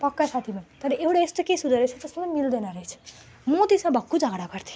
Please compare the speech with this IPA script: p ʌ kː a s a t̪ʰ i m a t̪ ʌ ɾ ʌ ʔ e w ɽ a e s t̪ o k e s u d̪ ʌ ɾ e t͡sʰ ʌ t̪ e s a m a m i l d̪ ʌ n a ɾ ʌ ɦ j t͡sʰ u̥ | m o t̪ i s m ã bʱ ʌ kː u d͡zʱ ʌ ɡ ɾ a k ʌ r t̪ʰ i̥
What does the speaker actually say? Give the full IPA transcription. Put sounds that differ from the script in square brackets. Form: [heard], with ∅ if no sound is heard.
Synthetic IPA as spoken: p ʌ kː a s a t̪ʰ i m a t̪ ʌ ɾ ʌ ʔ e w ɽ a e s t̪ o k e s u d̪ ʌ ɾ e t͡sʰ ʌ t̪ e s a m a m i l d̪ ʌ n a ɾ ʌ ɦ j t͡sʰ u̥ | m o t̪ i s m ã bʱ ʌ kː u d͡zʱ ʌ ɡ [ɽ] a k ʌ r t̪ʰ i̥